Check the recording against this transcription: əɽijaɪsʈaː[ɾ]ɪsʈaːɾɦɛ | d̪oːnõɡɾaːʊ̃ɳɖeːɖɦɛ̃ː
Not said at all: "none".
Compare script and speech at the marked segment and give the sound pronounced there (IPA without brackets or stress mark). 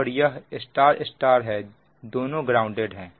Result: ɾ